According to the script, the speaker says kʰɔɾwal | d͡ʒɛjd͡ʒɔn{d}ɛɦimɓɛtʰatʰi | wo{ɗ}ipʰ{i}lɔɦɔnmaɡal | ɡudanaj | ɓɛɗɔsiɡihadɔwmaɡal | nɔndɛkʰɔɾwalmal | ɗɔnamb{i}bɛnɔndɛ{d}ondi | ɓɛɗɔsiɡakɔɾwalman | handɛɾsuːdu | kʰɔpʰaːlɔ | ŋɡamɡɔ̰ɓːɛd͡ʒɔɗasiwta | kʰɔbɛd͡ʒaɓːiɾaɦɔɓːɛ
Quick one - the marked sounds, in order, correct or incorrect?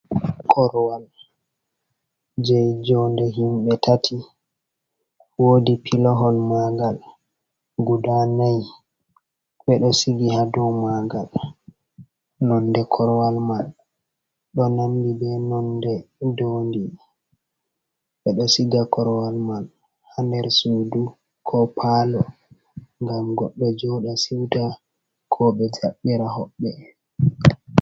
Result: correct, incorrect, correct, correct, correct

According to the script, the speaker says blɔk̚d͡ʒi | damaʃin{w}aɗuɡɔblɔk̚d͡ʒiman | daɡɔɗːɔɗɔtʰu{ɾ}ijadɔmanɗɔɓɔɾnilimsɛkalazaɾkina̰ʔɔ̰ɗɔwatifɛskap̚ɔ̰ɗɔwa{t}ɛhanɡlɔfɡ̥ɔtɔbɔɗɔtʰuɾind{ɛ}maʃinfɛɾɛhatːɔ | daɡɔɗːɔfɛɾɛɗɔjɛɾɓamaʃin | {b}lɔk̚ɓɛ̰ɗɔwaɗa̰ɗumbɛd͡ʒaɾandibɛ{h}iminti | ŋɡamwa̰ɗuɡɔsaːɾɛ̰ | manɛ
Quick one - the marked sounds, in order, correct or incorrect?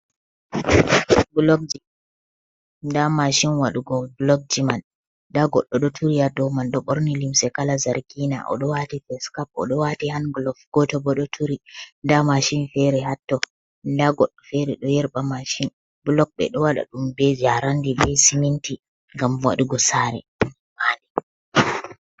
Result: correct, correct, correct, incorrect, correct, incorrect

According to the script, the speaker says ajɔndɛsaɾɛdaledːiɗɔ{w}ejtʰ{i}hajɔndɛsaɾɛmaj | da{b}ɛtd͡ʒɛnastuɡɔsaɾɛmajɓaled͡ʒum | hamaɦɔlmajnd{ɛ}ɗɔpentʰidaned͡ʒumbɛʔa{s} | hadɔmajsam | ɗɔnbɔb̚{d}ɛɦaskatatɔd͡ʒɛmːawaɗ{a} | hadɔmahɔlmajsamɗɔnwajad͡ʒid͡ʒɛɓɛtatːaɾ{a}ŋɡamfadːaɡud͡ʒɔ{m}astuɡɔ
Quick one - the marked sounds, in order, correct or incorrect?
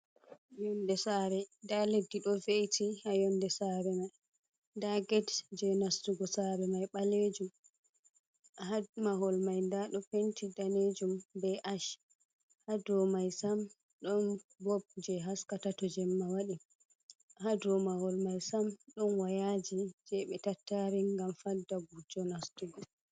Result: incorrect, correct, incorrect, incorrect, incorrect, incorrect, incorrect, incorrect, incorrect

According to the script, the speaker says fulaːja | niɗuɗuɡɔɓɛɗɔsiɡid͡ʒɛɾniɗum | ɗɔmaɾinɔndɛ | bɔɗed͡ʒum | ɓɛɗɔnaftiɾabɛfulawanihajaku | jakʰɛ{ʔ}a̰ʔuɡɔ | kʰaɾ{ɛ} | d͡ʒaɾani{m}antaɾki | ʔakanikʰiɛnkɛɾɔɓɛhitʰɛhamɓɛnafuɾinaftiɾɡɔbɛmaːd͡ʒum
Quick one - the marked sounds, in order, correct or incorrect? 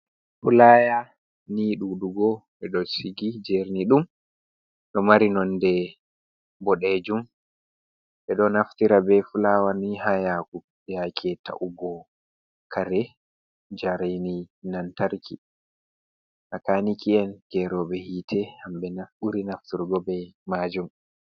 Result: incorrect, correct, incorrect

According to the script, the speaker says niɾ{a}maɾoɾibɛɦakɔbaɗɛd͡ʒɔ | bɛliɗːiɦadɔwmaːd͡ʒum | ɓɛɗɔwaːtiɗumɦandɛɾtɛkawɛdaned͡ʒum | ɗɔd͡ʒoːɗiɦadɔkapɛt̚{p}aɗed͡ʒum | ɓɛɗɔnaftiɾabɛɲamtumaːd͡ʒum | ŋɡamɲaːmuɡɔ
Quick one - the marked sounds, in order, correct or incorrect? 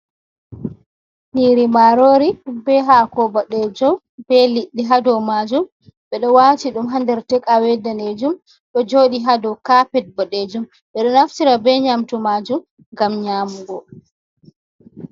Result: incorrect, incorrect

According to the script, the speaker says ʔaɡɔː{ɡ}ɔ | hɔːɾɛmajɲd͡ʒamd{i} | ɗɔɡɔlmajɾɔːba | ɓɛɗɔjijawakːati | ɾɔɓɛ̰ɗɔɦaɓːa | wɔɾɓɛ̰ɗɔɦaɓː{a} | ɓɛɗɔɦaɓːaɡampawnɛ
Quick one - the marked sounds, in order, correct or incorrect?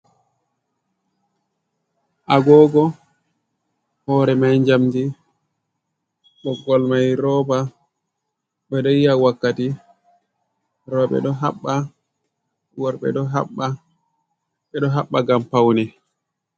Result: correct, correct, correct

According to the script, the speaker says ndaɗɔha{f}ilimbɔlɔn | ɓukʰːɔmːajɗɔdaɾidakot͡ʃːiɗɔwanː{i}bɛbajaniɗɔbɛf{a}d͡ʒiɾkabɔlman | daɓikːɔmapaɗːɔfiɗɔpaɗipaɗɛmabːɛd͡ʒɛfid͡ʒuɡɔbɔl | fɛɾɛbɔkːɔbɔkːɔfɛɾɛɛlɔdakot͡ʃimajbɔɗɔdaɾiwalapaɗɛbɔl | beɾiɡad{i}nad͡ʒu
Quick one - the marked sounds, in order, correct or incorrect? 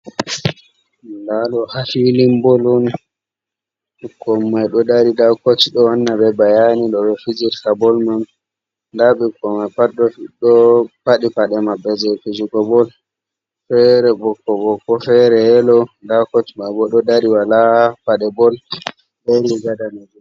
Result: correct, incorrect, incorrect, incorrect

